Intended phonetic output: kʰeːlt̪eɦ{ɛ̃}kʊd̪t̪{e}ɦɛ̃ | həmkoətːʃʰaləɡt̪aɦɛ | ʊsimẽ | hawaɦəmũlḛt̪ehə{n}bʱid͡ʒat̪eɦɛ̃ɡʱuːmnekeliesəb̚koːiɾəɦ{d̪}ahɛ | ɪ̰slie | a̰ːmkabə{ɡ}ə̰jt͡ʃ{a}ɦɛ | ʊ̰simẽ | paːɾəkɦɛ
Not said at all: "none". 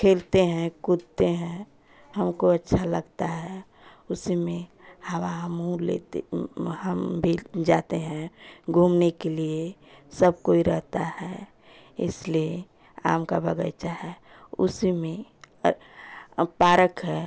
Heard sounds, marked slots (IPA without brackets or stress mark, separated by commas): ɛ̃, e, m, t̪, ɡ, a